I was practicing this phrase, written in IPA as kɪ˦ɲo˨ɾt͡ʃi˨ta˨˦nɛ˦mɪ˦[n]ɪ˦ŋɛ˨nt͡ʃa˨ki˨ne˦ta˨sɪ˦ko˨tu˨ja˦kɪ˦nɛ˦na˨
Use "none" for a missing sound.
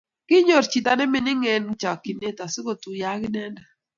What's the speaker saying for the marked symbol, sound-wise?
n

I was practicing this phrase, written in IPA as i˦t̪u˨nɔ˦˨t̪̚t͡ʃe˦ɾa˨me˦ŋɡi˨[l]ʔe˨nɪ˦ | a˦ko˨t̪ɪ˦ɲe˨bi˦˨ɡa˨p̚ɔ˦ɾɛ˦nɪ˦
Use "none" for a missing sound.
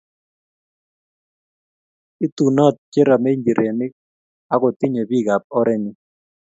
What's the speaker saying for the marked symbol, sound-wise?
ɾ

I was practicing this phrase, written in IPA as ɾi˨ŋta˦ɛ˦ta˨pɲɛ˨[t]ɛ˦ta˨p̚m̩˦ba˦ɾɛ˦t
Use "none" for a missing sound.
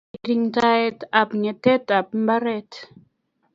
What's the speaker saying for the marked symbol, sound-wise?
t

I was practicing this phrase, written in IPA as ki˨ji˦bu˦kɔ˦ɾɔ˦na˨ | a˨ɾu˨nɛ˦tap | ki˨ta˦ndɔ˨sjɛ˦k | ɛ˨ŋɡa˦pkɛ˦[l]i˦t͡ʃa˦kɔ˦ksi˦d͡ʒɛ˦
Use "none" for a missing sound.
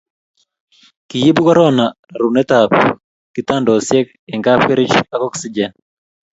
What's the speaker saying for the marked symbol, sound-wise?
ɾ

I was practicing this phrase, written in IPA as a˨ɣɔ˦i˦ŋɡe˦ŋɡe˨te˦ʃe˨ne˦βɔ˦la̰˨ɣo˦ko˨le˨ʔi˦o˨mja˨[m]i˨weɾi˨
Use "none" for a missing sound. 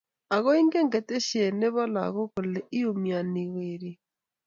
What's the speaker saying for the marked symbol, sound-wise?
n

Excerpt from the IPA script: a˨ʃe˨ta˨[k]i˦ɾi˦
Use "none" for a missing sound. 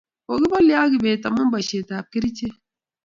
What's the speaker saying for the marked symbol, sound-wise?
k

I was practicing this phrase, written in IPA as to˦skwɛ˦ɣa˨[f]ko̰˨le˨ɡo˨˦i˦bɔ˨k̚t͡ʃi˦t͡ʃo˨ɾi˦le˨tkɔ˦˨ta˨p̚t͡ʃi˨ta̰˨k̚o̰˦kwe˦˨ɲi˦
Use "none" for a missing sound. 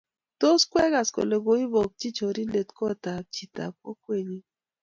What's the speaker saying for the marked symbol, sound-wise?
s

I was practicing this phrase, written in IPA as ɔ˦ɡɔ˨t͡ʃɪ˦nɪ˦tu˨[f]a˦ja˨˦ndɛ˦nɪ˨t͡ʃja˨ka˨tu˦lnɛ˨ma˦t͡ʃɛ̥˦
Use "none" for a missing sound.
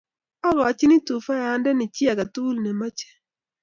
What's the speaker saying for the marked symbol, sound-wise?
f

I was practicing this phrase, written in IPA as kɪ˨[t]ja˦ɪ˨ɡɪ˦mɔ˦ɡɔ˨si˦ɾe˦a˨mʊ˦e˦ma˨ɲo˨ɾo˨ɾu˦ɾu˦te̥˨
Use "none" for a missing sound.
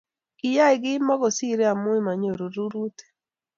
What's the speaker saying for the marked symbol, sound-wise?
none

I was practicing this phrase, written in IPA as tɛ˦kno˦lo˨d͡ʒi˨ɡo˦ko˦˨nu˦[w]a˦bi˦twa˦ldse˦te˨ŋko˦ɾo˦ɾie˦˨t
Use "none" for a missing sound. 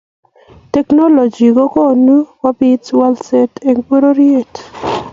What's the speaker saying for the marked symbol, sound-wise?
w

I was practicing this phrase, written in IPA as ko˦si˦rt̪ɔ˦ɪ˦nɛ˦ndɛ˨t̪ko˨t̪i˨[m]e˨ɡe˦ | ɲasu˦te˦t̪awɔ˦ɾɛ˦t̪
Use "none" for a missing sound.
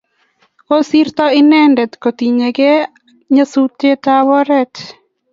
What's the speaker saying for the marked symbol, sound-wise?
ɲ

